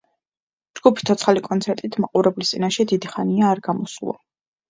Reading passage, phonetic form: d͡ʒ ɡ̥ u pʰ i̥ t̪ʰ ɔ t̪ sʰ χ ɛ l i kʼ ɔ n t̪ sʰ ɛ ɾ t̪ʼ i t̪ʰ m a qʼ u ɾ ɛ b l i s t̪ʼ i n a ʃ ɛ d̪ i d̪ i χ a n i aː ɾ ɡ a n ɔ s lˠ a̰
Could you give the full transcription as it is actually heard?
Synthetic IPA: d͡ʒ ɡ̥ u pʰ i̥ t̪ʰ ɔ t̪ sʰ χ a l i kʼ ɔ n t̪ sʰ ɛ ɾ t̪ʼ i t̪ʰ m a qʼ u ɾ ɛ b l i s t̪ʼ i n a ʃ ɛ d̪ i d̪ i χ a n i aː ɾ ɡ a m ɔ s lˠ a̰